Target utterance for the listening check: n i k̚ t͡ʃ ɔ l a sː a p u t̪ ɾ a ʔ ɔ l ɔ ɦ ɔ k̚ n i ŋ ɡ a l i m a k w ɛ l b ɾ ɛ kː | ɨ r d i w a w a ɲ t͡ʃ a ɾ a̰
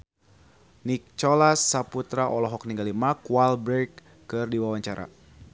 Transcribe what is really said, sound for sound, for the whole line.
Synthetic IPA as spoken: n i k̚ t͡ʃ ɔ l a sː a p u t̪ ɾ a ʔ ɔ l ɔ ɦ ɔ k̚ n i ŋ ɡ a l i m a k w a l b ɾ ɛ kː | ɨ r d i w a w a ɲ t͡ʃ a ɾ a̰